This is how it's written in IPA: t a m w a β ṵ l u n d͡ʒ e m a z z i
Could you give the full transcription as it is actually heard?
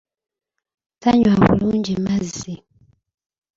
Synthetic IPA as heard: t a ɲ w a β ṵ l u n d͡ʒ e m a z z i